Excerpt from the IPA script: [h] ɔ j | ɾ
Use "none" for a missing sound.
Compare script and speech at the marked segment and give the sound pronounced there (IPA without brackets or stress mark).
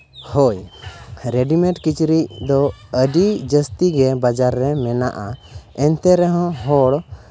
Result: h